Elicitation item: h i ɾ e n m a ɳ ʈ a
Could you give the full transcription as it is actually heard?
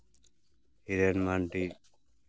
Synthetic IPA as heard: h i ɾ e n m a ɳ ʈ i